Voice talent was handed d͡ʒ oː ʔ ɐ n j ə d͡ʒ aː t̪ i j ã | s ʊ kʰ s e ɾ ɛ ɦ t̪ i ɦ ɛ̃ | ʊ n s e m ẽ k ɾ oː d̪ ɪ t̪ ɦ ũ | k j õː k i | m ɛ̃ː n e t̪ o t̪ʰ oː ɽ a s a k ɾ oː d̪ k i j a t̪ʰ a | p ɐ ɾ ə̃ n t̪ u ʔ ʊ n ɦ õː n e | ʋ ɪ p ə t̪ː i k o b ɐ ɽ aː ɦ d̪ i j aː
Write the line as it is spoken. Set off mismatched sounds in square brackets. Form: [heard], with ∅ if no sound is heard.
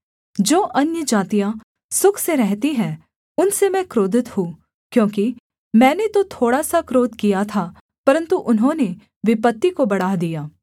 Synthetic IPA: d͡ʒ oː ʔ ɐ n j ə d͡ʒ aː t̪ i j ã | s ʊ kʰ s e ɾ ɛ ɦ t̪ i ɦ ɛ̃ | ʊ n s e m [ɛ̃] k ɾ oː d̪ ɪ t̪ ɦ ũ | k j õː k i | m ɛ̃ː n e t̪ o t̪ʰ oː ɽ a s a k ɾ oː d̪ k i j a t̪ʰ a | p ɐ ɾ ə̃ n t̪ u ʔ ʊ n ɦ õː n e | ʋ ɪ p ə t̪ː i k o b ɐ ɽ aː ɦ d̪ i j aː